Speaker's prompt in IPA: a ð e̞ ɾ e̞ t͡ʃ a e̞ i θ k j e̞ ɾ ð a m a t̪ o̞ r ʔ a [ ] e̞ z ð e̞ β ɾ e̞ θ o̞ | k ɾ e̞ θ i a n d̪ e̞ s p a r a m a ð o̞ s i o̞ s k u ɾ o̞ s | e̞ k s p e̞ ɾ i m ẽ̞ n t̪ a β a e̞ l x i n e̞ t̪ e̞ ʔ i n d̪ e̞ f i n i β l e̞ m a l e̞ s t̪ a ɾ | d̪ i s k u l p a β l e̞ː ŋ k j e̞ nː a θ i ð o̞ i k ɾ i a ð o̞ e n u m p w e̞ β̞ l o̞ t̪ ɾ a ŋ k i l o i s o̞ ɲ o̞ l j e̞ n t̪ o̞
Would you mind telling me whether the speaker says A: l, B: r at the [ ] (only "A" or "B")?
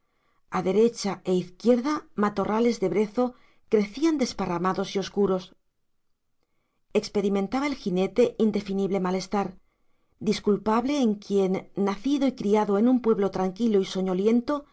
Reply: A